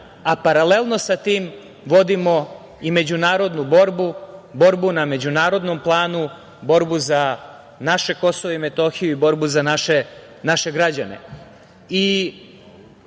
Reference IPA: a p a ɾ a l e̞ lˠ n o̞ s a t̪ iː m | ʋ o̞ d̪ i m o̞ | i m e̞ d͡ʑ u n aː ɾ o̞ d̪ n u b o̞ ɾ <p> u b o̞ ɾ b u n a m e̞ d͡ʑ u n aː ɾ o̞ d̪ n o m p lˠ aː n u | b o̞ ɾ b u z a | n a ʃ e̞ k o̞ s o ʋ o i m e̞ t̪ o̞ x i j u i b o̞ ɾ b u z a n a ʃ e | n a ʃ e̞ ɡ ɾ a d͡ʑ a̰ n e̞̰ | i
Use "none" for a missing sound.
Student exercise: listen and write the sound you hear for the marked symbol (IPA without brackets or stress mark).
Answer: b